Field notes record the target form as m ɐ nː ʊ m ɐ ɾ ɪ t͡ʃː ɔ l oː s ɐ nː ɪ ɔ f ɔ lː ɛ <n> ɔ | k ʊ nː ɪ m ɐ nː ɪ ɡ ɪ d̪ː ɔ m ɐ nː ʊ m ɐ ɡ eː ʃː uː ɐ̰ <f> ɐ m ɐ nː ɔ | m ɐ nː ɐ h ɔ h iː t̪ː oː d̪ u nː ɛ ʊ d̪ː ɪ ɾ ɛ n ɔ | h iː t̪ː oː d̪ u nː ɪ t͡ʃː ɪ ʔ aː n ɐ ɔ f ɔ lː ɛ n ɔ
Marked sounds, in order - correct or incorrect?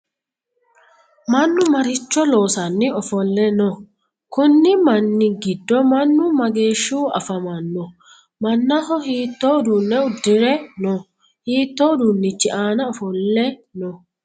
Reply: correct, correct

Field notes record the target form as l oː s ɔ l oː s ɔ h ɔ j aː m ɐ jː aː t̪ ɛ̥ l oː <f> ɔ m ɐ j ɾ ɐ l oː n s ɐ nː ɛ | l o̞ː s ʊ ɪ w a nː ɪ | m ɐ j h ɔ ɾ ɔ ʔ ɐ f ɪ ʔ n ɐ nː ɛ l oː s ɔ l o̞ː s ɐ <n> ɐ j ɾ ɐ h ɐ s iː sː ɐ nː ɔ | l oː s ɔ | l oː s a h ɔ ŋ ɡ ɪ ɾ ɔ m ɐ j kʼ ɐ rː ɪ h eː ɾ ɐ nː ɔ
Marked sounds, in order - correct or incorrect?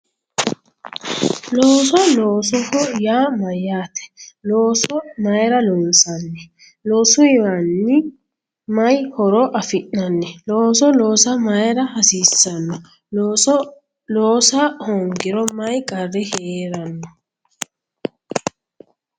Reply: incorrect, incorrect

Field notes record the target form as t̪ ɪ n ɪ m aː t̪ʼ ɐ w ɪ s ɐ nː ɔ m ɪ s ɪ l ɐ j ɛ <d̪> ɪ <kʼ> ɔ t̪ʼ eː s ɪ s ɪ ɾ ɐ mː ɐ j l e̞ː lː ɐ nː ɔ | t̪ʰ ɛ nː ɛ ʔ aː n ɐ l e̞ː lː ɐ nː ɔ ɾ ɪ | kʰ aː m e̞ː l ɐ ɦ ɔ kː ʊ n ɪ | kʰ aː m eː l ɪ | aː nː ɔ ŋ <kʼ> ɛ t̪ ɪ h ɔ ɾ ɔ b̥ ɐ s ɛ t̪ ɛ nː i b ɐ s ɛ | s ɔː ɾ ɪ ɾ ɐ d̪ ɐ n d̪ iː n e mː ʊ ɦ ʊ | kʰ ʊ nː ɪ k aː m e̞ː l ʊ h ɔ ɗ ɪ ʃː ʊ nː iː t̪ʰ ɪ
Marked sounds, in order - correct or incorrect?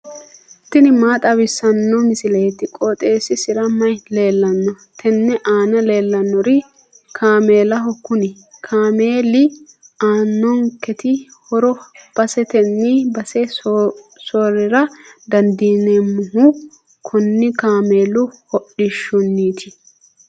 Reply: incorrect, correct, incorrect

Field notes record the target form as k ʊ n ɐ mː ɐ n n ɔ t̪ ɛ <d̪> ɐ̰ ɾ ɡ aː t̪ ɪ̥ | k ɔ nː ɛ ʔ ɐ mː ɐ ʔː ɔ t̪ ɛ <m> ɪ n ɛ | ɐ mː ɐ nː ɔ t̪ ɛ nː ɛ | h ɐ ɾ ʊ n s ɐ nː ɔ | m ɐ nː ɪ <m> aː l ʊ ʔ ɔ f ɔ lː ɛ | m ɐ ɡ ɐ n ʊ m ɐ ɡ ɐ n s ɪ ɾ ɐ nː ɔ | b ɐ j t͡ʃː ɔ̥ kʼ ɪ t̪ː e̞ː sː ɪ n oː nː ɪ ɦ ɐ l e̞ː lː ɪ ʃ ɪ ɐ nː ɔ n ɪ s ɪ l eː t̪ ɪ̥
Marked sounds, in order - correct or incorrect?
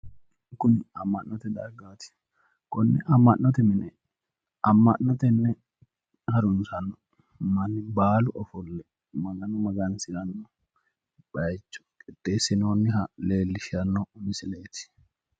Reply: correct, correct, incorrect

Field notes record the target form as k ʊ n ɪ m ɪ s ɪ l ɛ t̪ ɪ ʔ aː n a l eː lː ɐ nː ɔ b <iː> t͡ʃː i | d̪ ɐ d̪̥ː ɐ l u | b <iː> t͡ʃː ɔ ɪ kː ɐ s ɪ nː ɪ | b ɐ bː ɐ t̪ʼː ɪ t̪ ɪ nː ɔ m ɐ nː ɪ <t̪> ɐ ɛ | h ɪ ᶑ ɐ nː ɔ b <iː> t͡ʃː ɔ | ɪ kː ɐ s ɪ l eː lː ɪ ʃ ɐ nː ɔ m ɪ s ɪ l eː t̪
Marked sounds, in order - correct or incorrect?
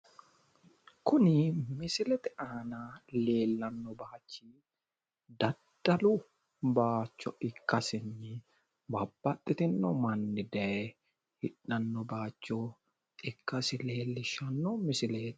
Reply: incorrect, incorrect, incorrect, incorrect

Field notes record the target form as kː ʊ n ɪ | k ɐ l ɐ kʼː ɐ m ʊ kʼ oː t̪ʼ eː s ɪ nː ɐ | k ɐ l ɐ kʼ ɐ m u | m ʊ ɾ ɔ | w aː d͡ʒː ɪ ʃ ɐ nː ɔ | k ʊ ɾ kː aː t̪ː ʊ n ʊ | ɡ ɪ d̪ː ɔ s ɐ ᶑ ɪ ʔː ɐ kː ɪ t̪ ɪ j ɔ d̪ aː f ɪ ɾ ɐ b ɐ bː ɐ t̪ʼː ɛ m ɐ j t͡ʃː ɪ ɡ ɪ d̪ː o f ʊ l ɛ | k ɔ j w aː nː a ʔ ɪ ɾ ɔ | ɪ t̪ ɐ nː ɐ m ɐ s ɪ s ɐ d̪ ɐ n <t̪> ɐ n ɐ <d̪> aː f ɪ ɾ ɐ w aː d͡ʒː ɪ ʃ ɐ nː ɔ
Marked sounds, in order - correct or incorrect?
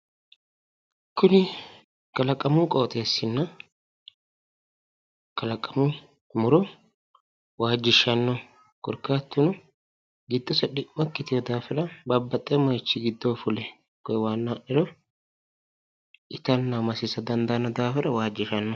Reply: incorrect, correct

